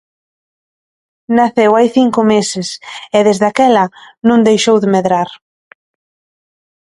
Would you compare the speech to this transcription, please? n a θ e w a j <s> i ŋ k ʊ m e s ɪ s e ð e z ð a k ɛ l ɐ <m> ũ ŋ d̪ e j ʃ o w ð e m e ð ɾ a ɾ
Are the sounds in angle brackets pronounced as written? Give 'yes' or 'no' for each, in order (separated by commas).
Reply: no, no